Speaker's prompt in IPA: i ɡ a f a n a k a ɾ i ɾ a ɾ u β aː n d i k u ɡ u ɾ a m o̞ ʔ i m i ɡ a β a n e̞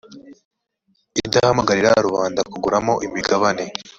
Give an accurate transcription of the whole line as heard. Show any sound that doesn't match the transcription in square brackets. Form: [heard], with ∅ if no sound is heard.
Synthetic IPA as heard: i [d] a [h] a [m] a [ɡ] a ɾ i ɾ a ɾ u β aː n d [a] k u ɡ u ɾ a m o̞ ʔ i m i ɡ a β a n e̞